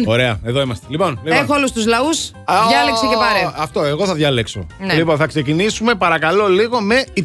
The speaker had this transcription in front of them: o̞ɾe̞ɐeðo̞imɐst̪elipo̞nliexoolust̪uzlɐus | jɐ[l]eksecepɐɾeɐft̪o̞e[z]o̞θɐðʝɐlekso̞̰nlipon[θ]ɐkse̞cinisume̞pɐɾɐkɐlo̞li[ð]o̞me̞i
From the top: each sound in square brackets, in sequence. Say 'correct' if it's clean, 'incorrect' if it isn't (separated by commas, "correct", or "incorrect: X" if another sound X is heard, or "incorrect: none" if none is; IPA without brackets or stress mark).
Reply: correct, incorrect: ɣ, correct, incorrect: ɣ